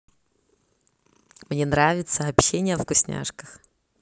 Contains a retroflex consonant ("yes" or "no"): yes